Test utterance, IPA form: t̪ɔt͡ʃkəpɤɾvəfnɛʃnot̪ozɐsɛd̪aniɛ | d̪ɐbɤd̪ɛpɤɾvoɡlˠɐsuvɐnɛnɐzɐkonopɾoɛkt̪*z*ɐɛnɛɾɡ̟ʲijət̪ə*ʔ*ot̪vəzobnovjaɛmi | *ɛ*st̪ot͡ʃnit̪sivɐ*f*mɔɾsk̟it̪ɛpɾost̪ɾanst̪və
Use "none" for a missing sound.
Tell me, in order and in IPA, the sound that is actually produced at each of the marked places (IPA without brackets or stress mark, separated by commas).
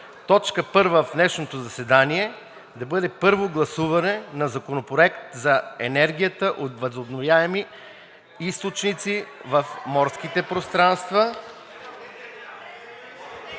z, ʔ, i, f